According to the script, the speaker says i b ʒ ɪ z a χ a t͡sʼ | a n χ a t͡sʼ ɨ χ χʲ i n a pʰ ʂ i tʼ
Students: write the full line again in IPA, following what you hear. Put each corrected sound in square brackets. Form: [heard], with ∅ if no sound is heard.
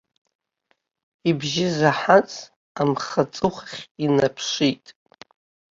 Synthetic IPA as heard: i b ʒ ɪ z a [ħ] a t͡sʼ | a [m] χ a t͡sʼ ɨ χ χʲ i n a pʰ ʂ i tʼ